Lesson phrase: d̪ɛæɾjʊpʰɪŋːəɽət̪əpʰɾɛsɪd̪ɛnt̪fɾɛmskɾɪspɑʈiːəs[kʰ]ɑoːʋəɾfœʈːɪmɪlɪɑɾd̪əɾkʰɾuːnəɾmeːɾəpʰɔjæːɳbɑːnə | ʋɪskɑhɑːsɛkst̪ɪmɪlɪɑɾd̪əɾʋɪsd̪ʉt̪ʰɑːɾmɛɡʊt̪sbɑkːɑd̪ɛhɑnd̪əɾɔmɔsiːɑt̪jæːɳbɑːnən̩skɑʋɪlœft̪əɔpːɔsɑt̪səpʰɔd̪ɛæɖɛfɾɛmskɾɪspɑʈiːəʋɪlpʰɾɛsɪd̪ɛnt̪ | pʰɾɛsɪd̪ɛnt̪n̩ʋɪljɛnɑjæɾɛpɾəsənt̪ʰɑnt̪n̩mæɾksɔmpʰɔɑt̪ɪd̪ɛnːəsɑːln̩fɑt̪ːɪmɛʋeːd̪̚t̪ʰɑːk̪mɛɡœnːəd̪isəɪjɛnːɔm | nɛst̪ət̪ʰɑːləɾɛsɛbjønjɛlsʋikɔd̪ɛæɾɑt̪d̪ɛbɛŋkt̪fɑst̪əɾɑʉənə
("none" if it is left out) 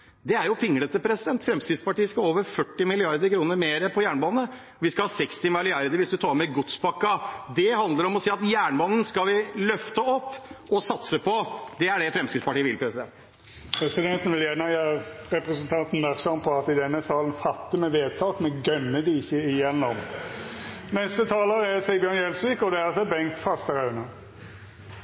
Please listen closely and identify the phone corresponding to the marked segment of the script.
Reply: k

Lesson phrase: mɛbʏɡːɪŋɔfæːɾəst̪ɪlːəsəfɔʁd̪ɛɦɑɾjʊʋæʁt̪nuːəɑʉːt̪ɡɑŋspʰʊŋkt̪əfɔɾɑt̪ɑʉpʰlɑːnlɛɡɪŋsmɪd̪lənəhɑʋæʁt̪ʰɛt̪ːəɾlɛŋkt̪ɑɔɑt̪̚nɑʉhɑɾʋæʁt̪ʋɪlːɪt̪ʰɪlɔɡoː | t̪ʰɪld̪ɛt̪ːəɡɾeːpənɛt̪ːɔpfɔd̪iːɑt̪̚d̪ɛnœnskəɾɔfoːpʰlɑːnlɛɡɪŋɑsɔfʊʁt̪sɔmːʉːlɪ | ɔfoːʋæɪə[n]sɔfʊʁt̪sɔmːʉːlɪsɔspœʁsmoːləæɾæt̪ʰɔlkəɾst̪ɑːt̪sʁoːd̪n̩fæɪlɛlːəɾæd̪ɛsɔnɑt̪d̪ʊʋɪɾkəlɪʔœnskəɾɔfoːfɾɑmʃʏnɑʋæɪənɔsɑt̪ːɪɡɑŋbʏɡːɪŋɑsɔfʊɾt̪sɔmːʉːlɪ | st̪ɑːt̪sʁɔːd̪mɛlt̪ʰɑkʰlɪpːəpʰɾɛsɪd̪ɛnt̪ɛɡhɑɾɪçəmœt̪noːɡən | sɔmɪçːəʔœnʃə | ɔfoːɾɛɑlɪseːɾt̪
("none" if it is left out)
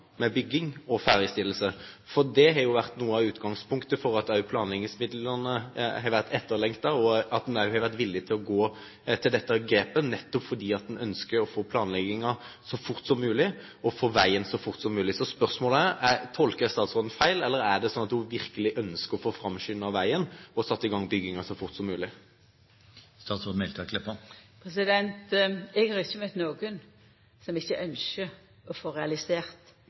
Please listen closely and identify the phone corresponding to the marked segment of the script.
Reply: n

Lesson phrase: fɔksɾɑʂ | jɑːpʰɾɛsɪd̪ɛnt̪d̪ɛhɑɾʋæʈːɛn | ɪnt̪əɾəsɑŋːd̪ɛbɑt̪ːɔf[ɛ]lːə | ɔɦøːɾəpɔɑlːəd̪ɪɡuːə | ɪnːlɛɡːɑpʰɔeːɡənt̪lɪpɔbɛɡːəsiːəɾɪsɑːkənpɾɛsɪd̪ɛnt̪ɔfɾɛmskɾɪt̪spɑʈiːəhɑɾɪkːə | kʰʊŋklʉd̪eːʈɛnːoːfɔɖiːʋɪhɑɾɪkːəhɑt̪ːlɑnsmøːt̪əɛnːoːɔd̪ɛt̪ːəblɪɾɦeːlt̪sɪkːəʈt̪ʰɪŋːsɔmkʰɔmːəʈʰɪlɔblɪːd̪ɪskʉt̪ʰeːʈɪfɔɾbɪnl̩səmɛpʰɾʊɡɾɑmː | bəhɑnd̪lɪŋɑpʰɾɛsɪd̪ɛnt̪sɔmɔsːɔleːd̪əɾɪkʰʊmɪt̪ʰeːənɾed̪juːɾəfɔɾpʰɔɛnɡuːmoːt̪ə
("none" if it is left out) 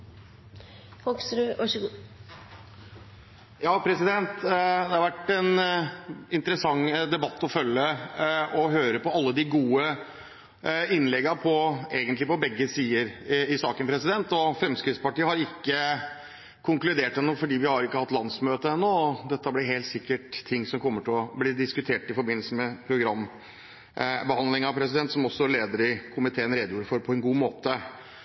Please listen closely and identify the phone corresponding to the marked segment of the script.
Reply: œ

